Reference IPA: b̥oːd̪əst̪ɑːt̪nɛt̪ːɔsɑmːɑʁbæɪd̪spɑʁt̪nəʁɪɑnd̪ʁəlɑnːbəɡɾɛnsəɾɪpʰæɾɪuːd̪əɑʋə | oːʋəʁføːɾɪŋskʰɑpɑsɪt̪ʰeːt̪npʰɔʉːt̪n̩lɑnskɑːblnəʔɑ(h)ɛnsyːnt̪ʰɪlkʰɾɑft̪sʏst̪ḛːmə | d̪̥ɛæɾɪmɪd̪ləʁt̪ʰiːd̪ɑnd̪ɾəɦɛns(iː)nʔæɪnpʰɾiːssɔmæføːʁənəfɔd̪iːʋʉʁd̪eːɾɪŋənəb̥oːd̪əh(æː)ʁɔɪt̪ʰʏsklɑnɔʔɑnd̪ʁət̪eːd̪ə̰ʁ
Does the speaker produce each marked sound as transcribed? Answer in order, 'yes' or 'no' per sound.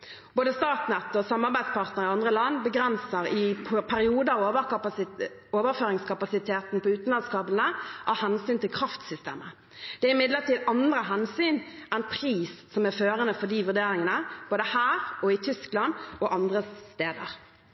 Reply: yes, no, yes

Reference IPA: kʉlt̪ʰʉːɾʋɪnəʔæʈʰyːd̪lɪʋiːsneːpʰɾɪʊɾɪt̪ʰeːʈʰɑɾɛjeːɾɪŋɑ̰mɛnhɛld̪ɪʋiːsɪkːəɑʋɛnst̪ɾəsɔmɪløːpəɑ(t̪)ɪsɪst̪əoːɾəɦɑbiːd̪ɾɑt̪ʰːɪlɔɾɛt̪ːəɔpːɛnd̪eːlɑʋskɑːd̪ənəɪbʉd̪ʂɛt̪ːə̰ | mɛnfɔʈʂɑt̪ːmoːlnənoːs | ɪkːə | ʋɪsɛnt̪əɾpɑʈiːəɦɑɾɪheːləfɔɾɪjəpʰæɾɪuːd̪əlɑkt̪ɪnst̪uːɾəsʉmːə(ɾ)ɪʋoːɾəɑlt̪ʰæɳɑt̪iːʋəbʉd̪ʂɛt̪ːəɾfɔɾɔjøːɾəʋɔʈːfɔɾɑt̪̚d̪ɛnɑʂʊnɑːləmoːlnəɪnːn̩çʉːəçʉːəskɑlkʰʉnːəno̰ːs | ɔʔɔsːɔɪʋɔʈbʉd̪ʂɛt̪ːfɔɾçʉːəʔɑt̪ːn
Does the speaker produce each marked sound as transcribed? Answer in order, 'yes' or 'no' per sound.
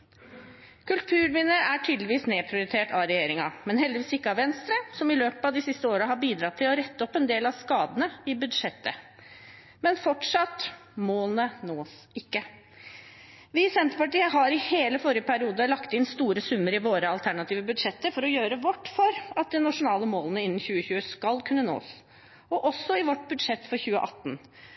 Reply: no, yes

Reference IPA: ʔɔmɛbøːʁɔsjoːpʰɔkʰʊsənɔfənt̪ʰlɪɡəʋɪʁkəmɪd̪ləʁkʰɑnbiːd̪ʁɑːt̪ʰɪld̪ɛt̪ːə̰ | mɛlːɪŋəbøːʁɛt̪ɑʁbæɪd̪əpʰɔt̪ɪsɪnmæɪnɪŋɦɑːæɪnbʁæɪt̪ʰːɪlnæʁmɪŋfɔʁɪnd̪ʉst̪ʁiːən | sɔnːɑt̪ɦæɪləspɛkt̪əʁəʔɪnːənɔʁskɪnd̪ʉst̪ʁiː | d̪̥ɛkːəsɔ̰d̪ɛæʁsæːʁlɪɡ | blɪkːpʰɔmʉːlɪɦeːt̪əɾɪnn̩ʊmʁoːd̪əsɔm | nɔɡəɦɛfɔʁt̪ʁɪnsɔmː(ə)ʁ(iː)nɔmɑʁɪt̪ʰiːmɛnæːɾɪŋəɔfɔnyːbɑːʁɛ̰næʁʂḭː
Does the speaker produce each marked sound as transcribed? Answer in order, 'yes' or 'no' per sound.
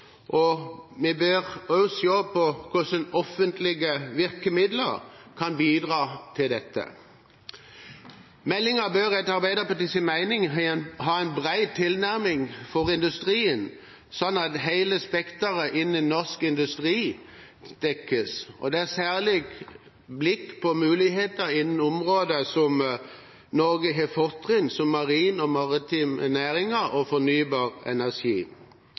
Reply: no, yes

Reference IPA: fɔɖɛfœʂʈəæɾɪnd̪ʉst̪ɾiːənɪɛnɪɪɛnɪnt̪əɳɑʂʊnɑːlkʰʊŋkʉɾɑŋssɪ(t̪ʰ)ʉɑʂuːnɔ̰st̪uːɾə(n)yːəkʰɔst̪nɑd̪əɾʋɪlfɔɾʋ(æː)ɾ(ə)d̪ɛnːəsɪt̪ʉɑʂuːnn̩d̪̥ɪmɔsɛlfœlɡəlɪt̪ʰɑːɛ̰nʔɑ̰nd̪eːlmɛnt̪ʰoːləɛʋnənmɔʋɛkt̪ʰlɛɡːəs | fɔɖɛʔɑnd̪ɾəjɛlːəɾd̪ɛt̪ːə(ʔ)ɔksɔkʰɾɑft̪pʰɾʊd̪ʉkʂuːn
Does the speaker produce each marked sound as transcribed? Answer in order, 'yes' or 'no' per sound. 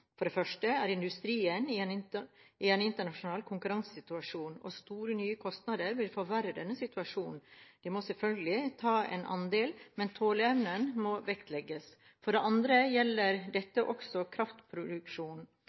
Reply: no, yes, no, yes, yes

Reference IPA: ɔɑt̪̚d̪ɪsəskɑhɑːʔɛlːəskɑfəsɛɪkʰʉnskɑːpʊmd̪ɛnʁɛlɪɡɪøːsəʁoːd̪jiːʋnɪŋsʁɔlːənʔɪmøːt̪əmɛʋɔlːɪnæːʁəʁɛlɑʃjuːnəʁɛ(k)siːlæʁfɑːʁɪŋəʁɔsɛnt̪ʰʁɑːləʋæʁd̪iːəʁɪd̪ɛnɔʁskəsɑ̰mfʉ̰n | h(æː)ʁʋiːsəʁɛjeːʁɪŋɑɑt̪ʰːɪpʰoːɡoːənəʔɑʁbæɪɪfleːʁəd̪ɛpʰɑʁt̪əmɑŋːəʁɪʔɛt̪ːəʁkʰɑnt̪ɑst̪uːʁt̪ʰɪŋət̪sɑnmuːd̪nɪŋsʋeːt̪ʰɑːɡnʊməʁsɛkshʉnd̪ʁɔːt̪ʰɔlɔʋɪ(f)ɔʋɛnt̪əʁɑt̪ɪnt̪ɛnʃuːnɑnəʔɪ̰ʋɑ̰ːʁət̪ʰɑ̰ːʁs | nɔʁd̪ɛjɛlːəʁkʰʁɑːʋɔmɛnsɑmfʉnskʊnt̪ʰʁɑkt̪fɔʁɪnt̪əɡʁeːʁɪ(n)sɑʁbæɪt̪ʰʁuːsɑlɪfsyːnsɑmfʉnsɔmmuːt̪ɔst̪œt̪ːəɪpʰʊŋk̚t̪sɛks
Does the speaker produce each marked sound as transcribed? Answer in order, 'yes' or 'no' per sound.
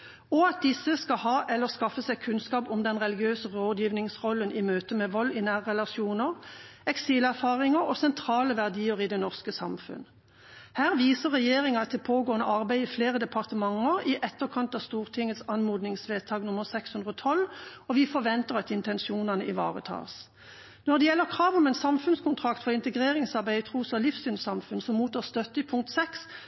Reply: yes, yes, yes, no

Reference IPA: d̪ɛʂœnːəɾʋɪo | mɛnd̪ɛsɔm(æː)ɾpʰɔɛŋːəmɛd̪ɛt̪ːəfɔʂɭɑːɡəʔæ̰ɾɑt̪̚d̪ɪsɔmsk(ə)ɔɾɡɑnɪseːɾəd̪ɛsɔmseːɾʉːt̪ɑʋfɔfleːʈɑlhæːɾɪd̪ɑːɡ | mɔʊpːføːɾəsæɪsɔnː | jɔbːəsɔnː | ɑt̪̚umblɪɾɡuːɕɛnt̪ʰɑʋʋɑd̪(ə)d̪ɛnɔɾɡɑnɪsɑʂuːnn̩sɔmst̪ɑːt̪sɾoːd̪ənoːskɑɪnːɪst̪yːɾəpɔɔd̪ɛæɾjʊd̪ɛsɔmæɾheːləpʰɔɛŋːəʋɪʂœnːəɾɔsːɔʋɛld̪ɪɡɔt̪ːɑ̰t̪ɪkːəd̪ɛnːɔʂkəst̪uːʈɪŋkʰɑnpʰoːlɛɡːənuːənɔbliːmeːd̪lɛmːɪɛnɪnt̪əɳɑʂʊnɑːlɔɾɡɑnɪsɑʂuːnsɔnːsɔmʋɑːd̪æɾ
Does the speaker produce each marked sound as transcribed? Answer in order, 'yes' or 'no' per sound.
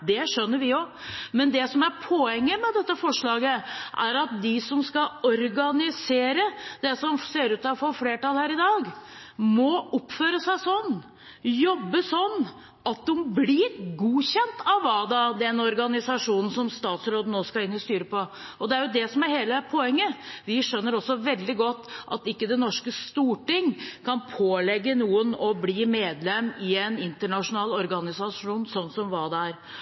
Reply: no, no, no

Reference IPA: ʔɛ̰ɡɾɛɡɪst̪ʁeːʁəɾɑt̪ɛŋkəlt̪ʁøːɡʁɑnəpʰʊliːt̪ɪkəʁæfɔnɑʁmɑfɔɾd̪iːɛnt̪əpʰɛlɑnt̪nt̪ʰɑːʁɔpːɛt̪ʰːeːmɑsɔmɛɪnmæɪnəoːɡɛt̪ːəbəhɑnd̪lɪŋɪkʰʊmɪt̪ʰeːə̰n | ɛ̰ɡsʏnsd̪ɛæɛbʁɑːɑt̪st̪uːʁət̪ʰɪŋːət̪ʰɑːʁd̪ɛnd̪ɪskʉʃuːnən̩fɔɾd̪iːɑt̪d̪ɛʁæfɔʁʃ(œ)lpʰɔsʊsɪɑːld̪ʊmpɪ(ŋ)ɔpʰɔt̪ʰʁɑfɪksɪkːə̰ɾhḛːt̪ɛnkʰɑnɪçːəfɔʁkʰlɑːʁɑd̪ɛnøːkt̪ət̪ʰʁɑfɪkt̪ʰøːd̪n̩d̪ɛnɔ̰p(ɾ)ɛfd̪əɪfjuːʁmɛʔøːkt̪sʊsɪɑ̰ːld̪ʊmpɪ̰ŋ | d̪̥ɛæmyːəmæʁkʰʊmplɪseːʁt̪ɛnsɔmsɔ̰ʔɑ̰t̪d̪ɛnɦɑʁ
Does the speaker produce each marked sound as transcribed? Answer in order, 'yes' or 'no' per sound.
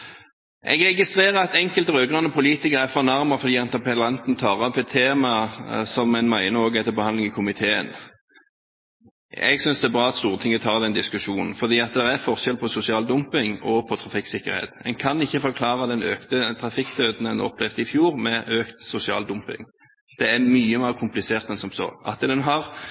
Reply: no, yes, no

